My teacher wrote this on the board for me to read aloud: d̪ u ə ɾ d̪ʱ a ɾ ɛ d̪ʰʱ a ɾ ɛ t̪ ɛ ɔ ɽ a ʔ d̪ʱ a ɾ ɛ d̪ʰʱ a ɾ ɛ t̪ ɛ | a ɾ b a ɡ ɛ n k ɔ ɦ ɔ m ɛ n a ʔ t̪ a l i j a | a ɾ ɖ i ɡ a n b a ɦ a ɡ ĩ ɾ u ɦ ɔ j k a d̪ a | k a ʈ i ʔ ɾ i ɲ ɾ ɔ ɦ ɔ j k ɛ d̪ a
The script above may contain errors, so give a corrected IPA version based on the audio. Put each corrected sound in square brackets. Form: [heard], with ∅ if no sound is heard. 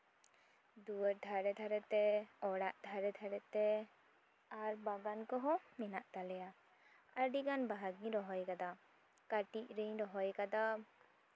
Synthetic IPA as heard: d̪ u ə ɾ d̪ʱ a ɾ ɛ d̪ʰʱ a ɾ ɛ t̪ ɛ ɔ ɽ a ʔ d̪ʱ a ɾ ɛ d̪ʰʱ a ɾ ɛ t̪ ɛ | a ɾ b a ɡ [a] n k ɔ ɦ ɔ m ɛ n a ʔ t̪ a l [ɛ] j a | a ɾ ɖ i ɡ a n b a ɦ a ɡ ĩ ɾ [ɔ] ɦ ɔ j k a d̪ a | k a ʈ i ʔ ɾ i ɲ ɾ ɔ ɦ ɔ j k [a] d̪ a

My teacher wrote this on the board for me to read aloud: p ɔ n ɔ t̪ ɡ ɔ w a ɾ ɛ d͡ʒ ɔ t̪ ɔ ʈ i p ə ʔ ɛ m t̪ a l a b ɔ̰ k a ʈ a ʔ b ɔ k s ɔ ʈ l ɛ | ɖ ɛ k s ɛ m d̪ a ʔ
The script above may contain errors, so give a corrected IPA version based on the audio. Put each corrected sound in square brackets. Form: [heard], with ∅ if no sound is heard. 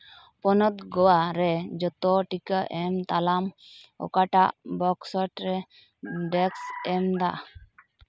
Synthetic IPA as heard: p ɔ n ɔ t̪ ɡ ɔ w a ɾ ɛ d͡ʒ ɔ t̪ ɔ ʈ i [k] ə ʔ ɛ m t̪ a l a [m] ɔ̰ k a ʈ a ʔ b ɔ k s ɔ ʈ [ɾ] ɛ | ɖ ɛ k s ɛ m d̪ a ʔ

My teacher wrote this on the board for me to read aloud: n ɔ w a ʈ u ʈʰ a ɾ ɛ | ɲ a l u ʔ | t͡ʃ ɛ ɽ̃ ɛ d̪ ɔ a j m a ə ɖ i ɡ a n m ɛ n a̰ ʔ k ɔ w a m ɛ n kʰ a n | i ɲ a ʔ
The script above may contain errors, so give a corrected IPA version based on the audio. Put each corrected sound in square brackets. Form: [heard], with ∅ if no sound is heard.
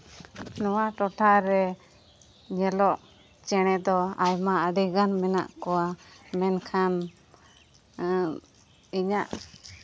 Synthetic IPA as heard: n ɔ w a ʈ [ɔ] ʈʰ a ɾ ɛ | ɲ [ɛ] l [ɔ] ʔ | t͡ʃ ɛ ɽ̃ ɛ d̪ ɔ a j m a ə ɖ i ɡ a n m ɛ n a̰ ʔ k ɔ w a m ɛ n kʰ a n | i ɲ a ʔ

